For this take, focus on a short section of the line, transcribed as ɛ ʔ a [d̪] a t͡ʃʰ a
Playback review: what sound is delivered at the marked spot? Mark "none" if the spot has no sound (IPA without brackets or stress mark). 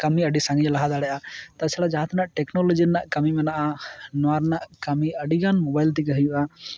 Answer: t̪